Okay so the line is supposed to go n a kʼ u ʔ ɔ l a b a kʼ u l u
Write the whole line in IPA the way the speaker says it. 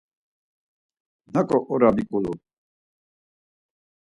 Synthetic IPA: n a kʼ ɔ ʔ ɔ ɾ a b i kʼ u l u